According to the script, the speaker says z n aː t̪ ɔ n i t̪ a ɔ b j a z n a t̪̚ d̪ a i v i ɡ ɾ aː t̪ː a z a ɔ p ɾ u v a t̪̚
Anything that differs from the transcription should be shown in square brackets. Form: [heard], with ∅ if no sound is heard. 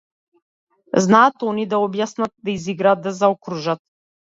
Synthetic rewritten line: z n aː t̪ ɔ n i [d̪] a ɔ b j a [s] n a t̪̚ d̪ a i [z] i ɡ ɾ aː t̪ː a z a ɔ [k] ɾ u [ʒ] a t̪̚